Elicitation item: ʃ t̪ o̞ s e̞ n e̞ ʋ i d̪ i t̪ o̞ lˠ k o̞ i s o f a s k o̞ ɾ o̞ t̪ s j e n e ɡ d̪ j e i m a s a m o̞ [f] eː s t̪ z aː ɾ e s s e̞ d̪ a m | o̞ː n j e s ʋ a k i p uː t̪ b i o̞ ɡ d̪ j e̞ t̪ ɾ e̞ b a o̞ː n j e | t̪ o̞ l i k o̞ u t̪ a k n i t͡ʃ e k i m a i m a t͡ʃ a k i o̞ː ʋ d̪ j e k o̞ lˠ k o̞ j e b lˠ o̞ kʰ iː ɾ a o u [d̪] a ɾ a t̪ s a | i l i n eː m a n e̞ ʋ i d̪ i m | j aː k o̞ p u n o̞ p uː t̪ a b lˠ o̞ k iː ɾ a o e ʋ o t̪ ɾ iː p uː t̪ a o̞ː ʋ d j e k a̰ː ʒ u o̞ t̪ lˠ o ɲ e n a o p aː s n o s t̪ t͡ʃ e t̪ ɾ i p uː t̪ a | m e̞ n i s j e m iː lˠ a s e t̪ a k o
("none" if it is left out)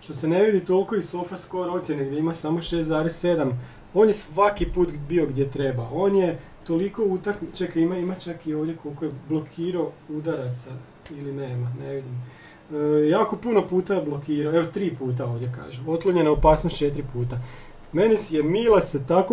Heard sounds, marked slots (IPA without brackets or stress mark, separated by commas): ʃ, d̪